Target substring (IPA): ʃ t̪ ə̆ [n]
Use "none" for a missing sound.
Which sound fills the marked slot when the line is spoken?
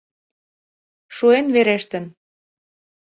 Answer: n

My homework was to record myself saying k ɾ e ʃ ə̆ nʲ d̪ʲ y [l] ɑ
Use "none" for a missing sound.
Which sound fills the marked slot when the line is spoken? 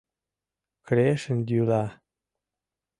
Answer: l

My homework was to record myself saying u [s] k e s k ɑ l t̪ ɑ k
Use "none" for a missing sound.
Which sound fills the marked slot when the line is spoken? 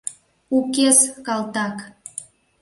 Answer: none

